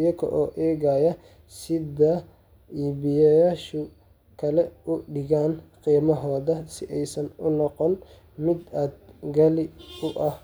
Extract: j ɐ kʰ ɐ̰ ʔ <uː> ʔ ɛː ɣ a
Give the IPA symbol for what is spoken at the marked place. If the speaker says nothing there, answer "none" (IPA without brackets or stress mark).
ɔː